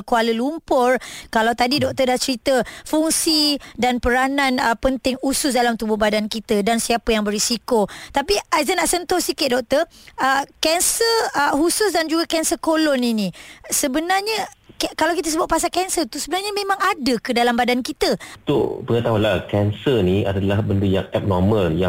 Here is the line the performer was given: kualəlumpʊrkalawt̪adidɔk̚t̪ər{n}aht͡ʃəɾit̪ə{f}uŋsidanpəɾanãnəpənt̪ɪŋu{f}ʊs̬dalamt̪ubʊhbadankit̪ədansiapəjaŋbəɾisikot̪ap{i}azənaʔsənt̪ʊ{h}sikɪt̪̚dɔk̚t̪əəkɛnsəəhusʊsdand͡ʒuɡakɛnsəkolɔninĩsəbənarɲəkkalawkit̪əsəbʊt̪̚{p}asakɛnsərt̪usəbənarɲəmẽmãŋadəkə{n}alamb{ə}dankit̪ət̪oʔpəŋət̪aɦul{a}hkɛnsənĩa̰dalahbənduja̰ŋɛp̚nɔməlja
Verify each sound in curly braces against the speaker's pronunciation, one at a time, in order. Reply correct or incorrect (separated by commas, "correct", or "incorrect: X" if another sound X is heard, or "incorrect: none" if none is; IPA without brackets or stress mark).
incorrect: d, correct, incorrect: s, correct, correct, correct, incorrect: d, incorrect: a, correct